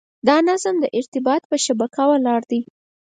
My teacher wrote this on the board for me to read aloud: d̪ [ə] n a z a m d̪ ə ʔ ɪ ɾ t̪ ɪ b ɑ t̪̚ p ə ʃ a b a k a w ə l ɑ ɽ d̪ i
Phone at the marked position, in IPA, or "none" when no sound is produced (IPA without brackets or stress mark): ɑ